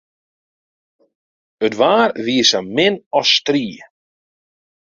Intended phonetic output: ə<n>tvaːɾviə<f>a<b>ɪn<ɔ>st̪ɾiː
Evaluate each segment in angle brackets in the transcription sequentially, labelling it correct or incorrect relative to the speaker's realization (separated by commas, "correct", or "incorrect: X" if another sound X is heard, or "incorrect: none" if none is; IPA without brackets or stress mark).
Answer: incorrect: none, incorrect: s, incorrect: m, correct